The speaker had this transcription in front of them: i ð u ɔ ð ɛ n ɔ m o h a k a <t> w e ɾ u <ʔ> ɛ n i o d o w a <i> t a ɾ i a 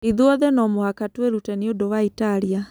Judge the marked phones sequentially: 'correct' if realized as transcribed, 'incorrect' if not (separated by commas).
correct, incorrect, correct